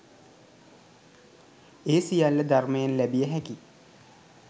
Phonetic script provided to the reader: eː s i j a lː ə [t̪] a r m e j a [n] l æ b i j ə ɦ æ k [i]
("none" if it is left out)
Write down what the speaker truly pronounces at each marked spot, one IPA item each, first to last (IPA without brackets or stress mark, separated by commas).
d̪, n, i